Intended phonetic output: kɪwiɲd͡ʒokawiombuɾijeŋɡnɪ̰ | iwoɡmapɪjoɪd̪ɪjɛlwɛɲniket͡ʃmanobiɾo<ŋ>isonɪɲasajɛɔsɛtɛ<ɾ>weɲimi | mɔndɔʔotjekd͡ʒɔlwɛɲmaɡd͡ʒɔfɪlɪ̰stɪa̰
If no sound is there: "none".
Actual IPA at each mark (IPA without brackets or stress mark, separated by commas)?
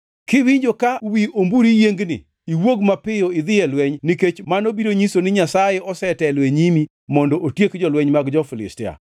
ɲ, l